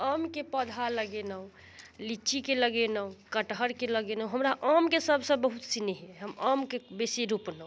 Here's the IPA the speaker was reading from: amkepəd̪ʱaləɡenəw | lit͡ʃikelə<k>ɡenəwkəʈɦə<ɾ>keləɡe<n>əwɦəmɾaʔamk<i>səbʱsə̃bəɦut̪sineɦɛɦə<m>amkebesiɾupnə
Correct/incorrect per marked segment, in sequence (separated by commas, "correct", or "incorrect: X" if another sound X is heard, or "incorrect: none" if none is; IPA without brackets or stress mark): incorrect: none, correct, correct, incorrect: e, correct